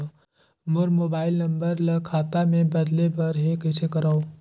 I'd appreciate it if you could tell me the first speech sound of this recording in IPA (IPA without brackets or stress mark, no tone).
m